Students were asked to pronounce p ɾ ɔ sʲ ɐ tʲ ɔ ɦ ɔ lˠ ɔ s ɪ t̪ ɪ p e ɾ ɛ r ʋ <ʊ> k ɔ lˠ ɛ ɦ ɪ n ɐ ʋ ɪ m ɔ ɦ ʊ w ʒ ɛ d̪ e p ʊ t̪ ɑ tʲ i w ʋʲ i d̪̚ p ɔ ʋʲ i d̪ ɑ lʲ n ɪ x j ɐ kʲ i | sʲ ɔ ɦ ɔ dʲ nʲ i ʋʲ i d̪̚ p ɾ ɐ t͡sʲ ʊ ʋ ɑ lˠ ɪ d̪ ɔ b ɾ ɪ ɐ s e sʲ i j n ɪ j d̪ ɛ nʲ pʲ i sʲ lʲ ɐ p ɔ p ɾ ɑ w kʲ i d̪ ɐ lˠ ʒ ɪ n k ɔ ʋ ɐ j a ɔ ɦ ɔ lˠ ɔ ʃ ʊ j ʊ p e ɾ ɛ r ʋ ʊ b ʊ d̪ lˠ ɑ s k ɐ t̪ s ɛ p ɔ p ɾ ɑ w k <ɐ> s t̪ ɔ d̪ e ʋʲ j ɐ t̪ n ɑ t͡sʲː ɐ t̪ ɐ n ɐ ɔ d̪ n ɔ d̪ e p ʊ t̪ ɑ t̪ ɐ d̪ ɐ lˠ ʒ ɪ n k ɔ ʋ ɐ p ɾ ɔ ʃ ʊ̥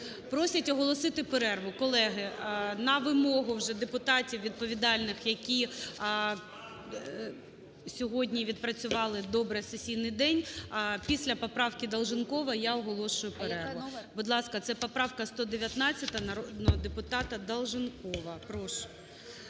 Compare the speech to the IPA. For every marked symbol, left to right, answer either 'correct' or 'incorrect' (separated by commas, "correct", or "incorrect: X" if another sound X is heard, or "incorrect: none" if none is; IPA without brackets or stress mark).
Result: correct, correct